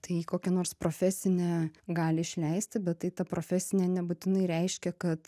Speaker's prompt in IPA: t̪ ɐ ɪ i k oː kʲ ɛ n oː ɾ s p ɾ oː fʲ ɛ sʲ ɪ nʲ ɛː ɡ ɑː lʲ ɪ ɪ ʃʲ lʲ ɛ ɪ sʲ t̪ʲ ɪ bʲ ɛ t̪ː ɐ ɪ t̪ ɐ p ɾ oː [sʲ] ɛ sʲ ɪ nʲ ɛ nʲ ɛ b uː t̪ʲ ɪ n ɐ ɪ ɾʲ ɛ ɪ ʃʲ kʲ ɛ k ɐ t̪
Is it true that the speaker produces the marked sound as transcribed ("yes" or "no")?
no